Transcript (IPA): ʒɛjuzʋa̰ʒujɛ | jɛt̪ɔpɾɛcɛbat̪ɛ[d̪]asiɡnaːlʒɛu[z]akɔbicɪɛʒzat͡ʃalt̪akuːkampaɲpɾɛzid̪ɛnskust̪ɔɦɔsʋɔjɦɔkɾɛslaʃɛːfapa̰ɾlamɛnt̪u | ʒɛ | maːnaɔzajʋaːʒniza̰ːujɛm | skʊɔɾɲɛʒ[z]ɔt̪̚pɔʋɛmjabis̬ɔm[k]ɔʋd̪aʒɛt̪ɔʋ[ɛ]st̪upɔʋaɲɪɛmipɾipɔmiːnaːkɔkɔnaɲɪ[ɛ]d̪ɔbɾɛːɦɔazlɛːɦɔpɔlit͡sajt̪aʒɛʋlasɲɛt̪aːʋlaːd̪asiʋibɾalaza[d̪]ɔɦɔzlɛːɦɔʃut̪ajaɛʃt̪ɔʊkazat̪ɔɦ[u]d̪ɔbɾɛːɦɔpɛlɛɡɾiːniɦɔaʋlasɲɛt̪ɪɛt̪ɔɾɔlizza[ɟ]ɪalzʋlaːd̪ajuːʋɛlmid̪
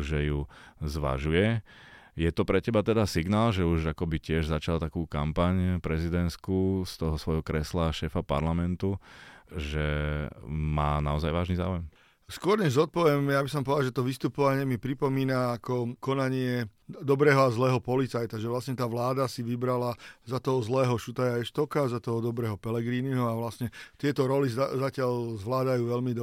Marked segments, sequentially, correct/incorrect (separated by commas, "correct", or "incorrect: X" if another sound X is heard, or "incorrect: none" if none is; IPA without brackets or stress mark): correct, incorrect: ʒ, correct, incorrect: p, incorrect: i, correct, incorrect: t̪, incorrect: ɔ, incorrect: c